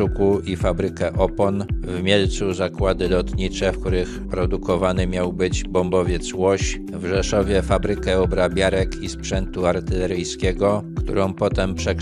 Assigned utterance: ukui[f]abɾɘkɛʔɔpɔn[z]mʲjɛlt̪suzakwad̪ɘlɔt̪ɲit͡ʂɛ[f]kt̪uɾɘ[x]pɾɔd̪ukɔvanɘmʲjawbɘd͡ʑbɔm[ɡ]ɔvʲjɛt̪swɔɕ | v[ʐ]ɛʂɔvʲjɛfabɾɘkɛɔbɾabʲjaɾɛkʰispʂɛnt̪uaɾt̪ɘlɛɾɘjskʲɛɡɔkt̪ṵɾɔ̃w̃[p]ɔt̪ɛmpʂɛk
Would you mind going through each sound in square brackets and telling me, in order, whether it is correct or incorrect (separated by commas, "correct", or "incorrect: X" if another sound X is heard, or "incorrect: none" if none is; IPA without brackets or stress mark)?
correct, incorrect: v, correct, correct, incorrect: b, correct, correct